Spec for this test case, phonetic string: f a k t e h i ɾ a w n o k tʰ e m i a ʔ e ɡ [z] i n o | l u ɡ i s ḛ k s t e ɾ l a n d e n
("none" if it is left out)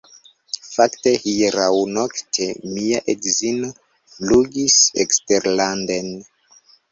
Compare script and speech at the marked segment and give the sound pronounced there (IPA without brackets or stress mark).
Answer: z